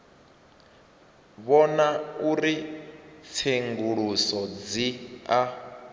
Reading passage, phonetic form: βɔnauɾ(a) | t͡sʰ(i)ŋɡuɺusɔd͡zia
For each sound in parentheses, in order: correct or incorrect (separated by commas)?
incorrect, incorrect